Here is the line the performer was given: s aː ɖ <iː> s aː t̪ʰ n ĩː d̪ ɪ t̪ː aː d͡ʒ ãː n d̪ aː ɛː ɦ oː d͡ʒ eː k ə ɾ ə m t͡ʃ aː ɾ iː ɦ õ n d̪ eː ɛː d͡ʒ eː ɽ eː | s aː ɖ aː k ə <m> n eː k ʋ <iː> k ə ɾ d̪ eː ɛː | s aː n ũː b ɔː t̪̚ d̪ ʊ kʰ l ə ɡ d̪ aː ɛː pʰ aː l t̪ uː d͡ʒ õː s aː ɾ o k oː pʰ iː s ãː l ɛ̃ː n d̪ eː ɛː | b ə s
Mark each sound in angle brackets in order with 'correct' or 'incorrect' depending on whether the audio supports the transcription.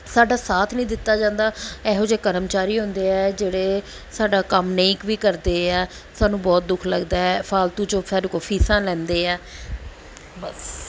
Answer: incorrect: aː, correct, correct

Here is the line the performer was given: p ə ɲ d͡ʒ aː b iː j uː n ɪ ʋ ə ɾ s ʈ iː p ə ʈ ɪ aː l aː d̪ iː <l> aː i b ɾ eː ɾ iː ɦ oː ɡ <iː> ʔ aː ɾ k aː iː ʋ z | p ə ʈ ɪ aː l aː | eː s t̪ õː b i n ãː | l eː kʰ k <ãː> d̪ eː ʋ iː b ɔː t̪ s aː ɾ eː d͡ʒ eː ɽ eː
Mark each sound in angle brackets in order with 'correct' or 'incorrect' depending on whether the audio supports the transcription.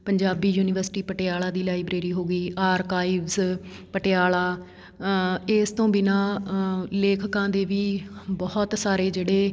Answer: correct, correct, correct

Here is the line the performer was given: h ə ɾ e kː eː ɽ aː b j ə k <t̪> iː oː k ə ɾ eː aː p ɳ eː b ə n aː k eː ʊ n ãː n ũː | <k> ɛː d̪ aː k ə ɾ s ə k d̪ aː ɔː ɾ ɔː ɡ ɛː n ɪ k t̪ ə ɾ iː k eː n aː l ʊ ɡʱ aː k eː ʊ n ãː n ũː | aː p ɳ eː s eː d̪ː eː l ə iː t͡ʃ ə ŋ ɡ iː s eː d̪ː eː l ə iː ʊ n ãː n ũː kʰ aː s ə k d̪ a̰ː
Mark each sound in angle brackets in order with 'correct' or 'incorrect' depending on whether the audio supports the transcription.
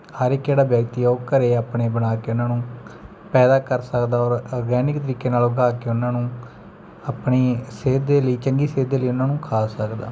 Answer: correct, incorrect: p

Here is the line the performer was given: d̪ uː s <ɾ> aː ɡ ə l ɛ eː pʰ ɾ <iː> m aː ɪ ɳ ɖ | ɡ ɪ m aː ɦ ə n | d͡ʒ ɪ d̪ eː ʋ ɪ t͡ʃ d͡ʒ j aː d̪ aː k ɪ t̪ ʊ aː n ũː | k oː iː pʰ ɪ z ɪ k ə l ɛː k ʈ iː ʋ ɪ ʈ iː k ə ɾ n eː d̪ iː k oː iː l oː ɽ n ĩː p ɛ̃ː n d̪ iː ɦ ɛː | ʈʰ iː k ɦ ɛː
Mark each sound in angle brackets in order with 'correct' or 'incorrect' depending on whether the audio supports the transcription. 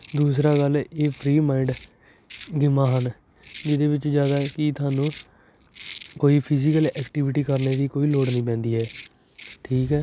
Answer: correct, correct

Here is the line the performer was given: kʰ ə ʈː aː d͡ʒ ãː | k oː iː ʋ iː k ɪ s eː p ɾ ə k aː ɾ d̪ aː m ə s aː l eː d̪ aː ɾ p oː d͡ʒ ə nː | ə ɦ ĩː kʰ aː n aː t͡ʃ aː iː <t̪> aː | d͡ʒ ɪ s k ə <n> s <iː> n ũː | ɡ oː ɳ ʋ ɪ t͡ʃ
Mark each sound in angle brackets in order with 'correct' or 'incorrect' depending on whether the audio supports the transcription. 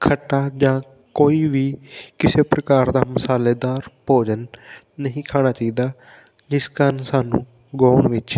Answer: incorrect: d̪, correct, incorrect: aː

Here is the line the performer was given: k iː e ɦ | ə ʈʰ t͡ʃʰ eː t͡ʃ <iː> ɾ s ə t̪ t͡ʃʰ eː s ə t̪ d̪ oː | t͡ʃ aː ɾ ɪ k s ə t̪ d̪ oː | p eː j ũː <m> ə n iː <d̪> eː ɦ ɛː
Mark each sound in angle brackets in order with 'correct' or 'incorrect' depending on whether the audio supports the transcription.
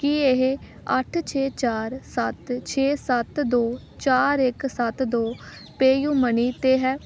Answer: incorrect: aː, correct, incorrect: t̪

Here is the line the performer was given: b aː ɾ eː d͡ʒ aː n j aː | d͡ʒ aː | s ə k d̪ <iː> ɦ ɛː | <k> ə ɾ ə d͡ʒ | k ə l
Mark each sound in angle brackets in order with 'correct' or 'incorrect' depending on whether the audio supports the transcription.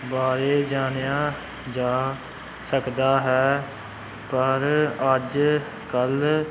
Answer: incorrect: aː, incorrect: p

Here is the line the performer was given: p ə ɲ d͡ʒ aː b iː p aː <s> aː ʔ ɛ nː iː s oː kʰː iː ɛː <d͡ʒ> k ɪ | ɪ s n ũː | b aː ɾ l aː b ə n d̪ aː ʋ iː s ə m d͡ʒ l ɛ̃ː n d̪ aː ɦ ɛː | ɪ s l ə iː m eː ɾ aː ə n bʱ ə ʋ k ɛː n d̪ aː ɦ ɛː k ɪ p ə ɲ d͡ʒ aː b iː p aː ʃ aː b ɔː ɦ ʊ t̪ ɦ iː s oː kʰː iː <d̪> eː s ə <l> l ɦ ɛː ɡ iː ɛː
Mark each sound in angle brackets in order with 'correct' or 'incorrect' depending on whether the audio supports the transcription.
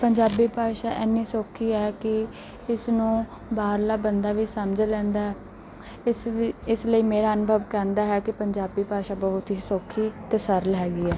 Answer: incorrect: ʃ, incorrect: none, incorrect: t̪, incorrect: ɾ

